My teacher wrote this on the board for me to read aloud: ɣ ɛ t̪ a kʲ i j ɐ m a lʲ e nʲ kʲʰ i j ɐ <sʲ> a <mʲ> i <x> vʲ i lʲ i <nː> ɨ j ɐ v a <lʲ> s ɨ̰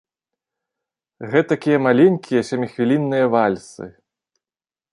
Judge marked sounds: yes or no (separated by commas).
yes, yes, yes, yes, yes